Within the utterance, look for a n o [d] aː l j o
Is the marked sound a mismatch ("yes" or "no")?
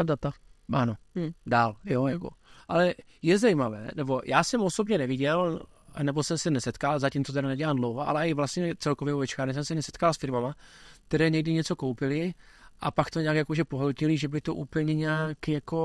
no